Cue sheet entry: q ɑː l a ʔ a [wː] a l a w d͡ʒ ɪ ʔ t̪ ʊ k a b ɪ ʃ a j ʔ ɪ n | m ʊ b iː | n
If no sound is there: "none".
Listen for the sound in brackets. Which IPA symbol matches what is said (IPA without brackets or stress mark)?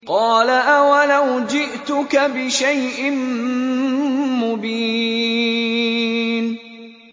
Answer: w